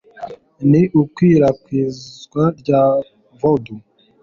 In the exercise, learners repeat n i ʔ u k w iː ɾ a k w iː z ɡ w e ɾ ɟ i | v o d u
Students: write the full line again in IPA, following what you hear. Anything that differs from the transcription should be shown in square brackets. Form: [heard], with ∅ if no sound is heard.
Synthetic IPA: n i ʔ u k w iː ɾ a k w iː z ɡ w [a] ɾ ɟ [a] | v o d u